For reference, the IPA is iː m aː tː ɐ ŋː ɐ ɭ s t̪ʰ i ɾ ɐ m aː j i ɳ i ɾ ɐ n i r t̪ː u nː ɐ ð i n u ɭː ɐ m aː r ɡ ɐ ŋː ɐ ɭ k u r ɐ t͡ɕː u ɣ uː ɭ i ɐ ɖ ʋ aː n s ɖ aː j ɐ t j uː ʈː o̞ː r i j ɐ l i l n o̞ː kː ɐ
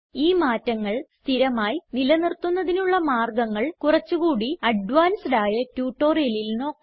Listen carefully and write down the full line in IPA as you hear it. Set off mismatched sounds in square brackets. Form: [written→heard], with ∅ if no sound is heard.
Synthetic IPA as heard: iː m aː tː ɐ ŋː ɐ ɭ s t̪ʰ i ɾ ɐ m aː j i [ɳ→n] i [ɾ→l] ɐ n i r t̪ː u nː ɐ ð i n u ɭː ɐ m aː r ɡ ɐ ŋː ɐ ɭ k u r ɐ t͡ɕː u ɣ uː [ɭ→ɽ] i ɐ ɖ ʋ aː n s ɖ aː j ɐ t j uː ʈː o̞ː r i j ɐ l i l n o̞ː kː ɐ